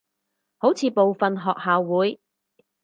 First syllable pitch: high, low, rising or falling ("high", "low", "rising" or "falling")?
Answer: rising